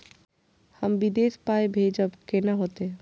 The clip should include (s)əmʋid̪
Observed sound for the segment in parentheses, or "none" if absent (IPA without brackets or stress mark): h